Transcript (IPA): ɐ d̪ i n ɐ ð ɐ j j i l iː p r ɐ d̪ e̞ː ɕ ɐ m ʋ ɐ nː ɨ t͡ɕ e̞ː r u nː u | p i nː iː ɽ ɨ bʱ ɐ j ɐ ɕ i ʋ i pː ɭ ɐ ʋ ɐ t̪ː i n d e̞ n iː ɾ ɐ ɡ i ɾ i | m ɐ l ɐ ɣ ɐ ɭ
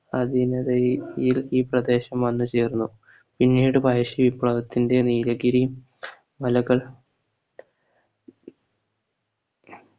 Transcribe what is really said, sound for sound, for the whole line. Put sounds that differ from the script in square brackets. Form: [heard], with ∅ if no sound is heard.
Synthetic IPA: ɐ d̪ i n ɐ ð ɐ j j i l iː p r ɐ d̪ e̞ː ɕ ɐ m ʋ ɐ nː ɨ t͡ɕ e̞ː r u nː u | p i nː iː ɽ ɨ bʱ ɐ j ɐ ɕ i ʋ i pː ɭ ɐ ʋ ɐ t̪ː i n d e̞ n iː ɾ ɐ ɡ i ɾ i | m ɐ l ɐ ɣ ɐ ɭ